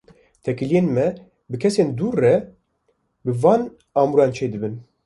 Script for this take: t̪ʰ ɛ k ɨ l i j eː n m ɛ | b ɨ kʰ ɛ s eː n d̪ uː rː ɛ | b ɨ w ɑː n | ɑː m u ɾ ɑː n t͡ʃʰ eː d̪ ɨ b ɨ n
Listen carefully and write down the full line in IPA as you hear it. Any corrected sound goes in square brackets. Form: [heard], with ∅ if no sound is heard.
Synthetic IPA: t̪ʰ ɛ k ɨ l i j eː n m ɛ | b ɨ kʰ ɛ s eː n d̪ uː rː ɛ | b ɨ [v] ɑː n | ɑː m u ɾ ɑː n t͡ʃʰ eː d̪ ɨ b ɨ n